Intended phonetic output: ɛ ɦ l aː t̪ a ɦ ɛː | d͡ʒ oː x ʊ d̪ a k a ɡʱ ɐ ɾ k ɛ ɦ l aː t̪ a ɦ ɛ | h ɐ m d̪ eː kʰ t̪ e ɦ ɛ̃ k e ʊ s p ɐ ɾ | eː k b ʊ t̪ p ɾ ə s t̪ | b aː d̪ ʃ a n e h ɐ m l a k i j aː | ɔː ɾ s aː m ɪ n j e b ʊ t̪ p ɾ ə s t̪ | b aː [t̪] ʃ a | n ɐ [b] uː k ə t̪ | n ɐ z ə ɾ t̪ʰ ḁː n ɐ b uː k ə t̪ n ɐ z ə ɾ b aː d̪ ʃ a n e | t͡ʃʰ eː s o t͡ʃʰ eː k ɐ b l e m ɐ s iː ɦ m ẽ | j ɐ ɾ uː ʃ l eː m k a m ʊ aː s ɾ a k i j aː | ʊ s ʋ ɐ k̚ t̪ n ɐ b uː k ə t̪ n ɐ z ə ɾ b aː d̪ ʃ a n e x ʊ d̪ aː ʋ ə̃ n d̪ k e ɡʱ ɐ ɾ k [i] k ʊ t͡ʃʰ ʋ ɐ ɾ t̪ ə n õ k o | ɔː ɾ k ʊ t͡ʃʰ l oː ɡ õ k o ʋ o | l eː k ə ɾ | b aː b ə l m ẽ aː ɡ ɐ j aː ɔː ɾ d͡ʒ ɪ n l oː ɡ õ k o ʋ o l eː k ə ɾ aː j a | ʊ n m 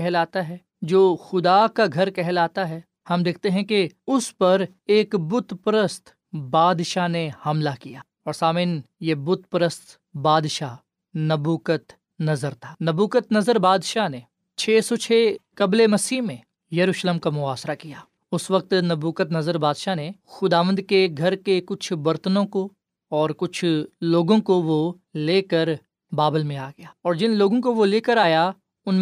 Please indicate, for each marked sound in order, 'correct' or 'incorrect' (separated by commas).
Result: incorrect, correct, incorrect